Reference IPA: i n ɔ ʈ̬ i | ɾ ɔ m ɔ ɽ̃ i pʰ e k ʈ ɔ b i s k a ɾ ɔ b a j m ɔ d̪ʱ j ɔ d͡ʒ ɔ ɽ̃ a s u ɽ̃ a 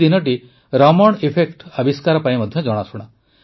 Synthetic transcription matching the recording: i n ɔ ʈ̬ i | ɾ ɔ m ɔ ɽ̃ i pʰ e k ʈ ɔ b i s k a ɾ ɔ p a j m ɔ d̪ʱ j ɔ d͡ʒ ɔ ɽ̃ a s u ɽ̃ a